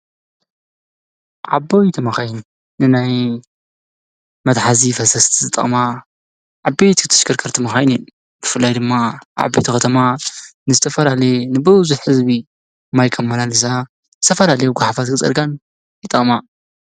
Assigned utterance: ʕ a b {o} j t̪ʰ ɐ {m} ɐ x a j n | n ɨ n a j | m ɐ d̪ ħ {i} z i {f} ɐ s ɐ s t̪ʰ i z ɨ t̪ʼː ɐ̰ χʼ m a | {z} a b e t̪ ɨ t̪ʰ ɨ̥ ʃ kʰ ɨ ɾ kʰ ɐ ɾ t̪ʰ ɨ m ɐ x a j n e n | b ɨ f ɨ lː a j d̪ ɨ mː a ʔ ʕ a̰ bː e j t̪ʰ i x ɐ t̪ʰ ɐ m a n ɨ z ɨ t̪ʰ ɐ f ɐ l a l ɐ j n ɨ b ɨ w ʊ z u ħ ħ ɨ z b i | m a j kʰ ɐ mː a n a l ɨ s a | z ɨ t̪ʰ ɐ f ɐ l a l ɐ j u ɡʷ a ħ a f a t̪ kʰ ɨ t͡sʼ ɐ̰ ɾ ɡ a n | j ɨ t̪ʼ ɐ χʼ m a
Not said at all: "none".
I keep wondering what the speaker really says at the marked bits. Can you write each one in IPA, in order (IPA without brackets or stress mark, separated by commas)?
o, m, a, f, ʕ